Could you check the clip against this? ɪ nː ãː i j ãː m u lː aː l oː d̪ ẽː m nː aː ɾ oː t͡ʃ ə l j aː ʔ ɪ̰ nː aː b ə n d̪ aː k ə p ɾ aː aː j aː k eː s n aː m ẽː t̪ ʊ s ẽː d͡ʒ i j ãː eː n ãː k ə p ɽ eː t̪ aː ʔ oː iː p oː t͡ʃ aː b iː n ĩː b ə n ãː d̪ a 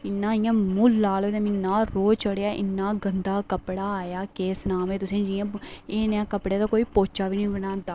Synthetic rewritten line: ɪ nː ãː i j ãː m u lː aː l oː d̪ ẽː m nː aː ɾ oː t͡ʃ ə ɽ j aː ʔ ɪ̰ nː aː ɡ ə n d̪ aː k ə p ɽ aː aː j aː k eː s n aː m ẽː t̪ ʊ s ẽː d͡ʒ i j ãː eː n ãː k ə p ɽ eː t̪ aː k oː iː p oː t͡ʃ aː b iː n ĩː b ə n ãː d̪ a

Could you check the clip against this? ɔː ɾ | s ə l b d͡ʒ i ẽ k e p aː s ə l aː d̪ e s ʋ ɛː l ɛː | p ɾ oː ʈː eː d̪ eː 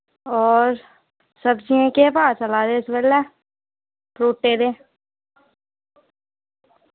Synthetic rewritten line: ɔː ɾ | s ə b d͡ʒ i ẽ k e p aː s ə l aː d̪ e s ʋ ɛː l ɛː | p ɾ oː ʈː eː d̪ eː

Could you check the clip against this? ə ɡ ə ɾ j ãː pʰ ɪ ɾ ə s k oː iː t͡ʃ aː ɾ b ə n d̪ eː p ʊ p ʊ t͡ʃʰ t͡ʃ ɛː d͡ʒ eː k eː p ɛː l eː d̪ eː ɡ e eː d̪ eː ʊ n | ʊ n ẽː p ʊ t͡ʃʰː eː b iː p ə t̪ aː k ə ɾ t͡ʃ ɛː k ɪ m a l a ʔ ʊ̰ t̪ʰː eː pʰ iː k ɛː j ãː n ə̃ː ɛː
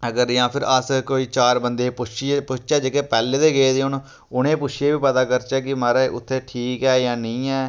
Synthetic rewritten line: ə ɡ ə ɾ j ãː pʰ ɪ ɾ ə s k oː iː t͡ʃ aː ɾ b ə n d̪ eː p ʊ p ʊ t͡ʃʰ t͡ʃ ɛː d͡ʒ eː k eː p ɛː l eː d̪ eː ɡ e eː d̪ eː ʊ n | ʊ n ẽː p ʊ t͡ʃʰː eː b iː p ə t̪ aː k ə ɾ t͡ʃ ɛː k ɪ m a ɾ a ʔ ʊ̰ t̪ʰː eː ʈʰ iː k ɛː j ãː n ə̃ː ɛː

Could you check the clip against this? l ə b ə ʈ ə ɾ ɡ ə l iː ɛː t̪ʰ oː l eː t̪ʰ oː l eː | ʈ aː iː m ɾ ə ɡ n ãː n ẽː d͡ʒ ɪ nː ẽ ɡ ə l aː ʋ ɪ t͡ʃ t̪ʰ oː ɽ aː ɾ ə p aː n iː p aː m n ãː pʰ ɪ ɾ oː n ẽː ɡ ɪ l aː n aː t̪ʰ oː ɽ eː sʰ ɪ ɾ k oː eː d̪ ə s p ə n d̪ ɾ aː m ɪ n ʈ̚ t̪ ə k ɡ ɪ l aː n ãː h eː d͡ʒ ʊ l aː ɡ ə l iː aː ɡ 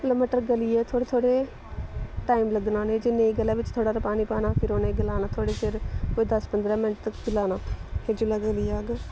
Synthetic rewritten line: l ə m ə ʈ ə ɾ ɡ ə l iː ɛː t̪ʰ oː ɽ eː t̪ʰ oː ɽ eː | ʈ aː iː m l ə ɡ n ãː n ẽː d͡ʒ ɪ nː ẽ ɡ ə l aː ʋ ɪ t͡ʃ t̪ʰ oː ɽ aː ɾ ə p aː n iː p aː n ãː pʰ ɪ ɾ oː n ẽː ɡ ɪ l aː n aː t̪ʰ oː ɽ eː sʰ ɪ ɾ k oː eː d̪ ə s p ə n d̪ ɾ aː m ɪ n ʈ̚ t̪ ə k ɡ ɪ l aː n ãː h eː d͡ʒ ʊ l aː ɡ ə l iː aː ɡ

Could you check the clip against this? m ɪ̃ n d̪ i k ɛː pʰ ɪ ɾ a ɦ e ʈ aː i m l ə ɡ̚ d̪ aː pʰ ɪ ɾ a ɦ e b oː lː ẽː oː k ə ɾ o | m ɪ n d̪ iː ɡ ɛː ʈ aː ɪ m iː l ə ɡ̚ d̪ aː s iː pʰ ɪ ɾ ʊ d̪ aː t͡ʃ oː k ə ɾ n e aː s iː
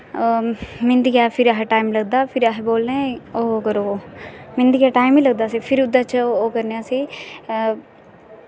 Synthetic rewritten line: m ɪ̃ n d̪ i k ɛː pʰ ɪ ɾ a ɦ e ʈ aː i m l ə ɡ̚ d̪ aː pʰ ɪ ɾ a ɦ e b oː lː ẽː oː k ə ɾ o | m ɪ n d̪ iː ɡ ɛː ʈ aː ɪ m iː l ə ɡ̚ d̪ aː s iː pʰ ɪ ɾ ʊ d̪ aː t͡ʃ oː k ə ɾ n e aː s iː

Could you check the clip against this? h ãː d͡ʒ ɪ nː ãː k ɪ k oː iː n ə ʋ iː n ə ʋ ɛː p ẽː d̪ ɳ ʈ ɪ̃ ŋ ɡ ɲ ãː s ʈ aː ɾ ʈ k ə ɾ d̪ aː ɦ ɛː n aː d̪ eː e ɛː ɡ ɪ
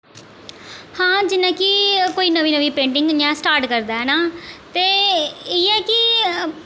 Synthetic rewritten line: h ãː d͡ʒ ɪ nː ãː k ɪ k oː iː n ə ʋ iː n ə ʋ iː p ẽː ɳ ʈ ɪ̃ ŋ ɡ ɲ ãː s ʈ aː ɾ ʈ k ə ɾ d̪ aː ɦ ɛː n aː t̪ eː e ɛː k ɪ

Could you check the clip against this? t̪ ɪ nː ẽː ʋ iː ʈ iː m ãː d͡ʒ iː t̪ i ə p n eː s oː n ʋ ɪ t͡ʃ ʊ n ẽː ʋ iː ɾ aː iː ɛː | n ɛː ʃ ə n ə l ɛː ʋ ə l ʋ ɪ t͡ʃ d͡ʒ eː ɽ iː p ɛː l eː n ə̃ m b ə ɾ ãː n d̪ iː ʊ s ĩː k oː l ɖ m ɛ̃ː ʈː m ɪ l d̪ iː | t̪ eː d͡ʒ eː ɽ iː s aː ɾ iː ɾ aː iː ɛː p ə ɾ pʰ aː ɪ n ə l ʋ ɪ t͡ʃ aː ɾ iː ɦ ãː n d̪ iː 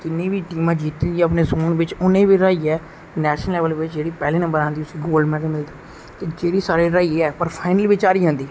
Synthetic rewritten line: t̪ ɪ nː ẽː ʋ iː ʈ iː m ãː d͡ʒ iː t̪ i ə p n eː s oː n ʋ ɪ t͡ʃ ʊ n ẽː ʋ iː ɾ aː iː ɛː | n ɛː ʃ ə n ə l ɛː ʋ ə l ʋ ɪ t͡ʃ d͡ʒ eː ɽ iː p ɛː l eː n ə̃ m b ə ɾ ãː n d̪ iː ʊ s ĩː ɡ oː l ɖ m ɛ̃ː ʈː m ɪ l d̪ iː | t̪ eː d͡ʒ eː ɽ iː s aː ɾ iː ɾ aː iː ɛː p ə ɾ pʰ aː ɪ n ə l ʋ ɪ t͡ʃ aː ɾ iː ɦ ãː n d̪ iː

